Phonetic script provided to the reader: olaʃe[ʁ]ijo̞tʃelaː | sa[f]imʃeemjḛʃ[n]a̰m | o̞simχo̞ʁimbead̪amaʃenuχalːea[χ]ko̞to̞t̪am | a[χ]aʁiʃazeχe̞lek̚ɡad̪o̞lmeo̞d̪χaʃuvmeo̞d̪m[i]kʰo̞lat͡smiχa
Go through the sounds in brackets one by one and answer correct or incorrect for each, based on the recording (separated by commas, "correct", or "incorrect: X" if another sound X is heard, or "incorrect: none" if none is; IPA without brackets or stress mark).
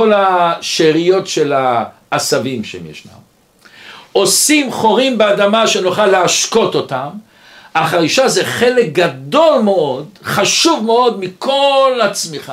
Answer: correct, incorrect: v, correct, incorrect: ʃ, correct, correct